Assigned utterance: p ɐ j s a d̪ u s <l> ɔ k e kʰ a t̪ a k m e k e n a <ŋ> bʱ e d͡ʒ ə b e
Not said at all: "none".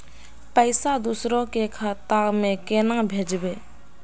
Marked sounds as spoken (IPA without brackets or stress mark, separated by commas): ɾ, ŋ